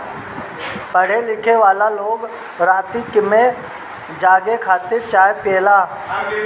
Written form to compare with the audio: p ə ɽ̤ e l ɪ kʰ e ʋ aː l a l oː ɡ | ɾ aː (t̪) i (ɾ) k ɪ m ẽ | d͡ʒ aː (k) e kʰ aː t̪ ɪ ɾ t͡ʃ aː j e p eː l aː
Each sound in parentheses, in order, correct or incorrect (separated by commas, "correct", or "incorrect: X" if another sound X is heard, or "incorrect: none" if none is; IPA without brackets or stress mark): correct, incorrect: none, incorrect: ɡ